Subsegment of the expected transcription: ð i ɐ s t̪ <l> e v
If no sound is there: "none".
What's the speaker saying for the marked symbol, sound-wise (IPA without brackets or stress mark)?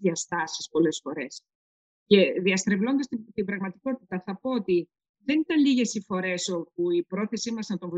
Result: ɾ